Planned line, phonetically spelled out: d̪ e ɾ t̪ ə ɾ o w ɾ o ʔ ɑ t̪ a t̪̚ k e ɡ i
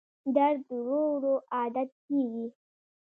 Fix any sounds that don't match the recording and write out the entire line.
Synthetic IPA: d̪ a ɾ d̪ ə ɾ o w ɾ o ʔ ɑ d̪ a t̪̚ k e ɡ i